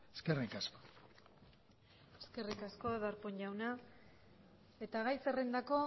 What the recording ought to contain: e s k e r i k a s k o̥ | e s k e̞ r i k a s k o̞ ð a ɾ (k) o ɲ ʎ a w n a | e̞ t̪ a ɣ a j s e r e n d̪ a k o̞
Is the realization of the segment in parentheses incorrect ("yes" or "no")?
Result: yes